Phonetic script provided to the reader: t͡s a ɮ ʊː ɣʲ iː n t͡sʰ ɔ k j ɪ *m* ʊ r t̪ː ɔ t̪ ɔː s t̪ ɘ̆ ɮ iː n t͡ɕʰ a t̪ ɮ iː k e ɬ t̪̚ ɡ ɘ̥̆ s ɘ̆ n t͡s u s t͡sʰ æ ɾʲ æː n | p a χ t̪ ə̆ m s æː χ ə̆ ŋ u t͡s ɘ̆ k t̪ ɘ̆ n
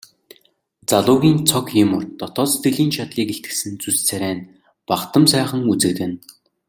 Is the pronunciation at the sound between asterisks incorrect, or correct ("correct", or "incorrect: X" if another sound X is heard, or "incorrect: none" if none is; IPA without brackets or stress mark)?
correct